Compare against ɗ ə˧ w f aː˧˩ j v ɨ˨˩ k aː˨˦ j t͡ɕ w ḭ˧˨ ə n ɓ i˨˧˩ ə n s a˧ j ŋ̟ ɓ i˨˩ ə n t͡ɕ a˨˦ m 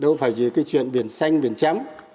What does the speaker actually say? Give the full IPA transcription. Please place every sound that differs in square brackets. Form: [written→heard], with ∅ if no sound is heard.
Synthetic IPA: ɗ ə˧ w f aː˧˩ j [v→z] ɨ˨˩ k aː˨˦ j t͡ɕ w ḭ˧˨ ə n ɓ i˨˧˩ ə n s a˧ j ŋ̟ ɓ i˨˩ ə n t͡ɕ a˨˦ m